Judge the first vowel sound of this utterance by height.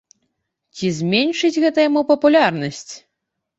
high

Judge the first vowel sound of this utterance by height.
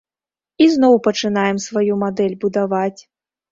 high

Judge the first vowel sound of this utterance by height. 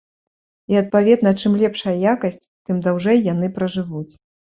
high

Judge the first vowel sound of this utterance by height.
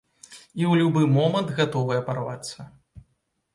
high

